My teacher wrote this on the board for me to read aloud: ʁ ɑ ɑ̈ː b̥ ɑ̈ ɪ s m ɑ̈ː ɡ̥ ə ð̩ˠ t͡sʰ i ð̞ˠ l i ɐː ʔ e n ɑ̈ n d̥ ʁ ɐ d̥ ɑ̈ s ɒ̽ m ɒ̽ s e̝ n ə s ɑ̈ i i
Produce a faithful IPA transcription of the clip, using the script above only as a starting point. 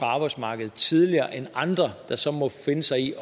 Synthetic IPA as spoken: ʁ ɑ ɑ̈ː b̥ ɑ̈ ɪ s m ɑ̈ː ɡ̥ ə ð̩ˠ t͡sʰ i ð̞ˠ l i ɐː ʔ e n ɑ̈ n d̥ ʁ ɐ d̥ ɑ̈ s ɒ̽ m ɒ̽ f e̝ n ə s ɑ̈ ɪ i